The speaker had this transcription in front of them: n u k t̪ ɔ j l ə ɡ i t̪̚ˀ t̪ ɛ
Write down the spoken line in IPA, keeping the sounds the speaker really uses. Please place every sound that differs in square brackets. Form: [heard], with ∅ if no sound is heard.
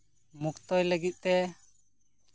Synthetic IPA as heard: [m] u k t̪ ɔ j l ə ɡ i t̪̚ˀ t̪ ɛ